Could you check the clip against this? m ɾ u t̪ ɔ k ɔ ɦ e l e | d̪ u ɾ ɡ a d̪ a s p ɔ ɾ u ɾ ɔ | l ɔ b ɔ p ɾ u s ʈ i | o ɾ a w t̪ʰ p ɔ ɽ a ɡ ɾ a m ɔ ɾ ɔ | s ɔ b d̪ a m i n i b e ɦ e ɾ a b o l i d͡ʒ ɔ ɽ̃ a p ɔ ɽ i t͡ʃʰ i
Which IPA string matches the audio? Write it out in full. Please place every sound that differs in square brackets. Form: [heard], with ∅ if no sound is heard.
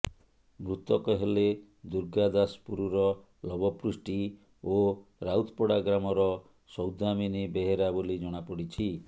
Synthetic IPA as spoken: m ɾ u t̪ ɔ k ɔ ɦ e l e | d̪ u ɾ ɡ a d̪ a s p [u] ɾ u ɾ ɔ | l ɔ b ɔ p ɾ u s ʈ i | o ɾ a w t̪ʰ p ɔ ɽ a ɡ ɾ a m ɔ ɾ ɔ | s ɔ [w] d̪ a m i n i b e ɦ e ɾ a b o l i d͡ʒ ɔ ɽ̃ a p ɔ ɽ i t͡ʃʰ i